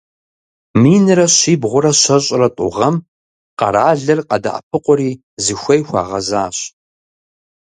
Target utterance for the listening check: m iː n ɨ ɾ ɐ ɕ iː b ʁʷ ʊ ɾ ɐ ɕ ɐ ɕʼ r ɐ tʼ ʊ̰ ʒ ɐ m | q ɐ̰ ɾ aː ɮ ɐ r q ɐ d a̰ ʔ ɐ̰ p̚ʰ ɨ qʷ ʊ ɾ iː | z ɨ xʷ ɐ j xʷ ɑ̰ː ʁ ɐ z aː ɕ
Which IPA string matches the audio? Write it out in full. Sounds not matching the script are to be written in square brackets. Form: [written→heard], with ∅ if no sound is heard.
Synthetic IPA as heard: m iː n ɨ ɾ ɐ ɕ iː b ʁʷ ʊ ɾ ɐ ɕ ɐ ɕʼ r ɐ tʼ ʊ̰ [ʒ→ʁ] ɐ m | q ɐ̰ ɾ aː ɮ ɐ r q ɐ d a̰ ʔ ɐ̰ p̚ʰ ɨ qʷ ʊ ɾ iː | z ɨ xʷ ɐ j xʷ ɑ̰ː ʁ ɐ z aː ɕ